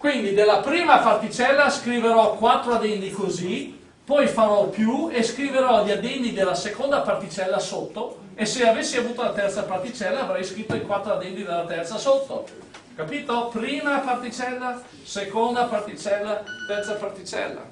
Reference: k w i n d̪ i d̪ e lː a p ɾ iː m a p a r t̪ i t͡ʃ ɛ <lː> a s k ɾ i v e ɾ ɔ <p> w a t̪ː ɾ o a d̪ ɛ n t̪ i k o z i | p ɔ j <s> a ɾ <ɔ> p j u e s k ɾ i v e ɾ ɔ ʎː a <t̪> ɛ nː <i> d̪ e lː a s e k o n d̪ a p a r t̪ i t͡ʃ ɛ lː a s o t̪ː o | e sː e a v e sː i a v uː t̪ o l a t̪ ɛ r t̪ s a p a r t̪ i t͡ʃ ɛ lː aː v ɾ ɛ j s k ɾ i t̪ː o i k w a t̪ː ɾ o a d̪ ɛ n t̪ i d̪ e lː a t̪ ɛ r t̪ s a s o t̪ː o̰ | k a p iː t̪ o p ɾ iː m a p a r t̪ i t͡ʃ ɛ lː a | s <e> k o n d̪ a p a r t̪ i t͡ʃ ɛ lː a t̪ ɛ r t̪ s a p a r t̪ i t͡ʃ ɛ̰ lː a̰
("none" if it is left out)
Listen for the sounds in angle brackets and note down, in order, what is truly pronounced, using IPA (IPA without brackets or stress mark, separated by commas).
lː, k, f, ɔ, d̪, i, e